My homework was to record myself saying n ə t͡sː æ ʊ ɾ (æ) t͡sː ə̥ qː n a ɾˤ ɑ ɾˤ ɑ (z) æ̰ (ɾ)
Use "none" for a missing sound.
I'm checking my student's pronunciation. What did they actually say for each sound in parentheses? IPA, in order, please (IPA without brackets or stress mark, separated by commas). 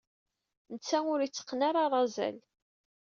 i, z, l